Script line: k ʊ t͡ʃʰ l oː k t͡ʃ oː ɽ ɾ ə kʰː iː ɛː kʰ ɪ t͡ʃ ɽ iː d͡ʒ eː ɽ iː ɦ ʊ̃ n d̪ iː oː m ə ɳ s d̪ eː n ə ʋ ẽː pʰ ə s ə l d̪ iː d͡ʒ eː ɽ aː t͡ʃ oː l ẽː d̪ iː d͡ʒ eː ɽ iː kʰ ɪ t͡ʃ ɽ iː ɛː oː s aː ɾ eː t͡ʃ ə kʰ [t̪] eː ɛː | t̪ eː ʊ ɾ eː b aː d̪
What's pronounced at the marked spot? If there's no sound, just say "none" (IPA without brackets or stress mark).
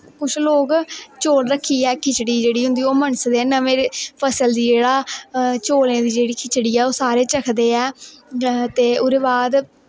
d̪